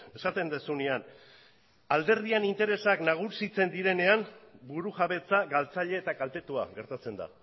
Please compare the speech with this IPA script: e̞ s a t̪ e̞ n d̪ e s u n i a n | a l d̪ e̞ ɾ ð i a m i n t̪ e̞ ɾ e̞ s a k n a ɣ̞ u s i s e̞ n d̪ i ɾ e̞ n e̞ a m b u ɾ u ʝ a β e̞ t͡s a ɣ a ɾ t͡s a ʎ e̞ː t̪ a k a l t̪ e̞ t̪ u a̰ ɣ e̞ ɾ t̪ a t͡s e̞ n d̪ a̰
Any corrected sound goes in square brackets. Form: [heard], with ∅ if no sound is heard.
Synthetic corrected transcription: e̞ s a t̪ e̞ n d̪ e s u n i a n | a l d̪ e̞ ɾ ð i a [n] i n t̪ e̞ ɾ e̞ s a k n a ɣ̞ u s i [t͡s] e̞ n d̪ i ɾ e̞ n e̞ a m b u ɾ u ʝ a β e̞ t͡s a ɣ a [l] t͡s a ʎ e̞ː t̪ a k a l t̪ e̞ t̪ u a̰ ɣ e̞ ɾ t̪ a t͡s e̞ n d̪ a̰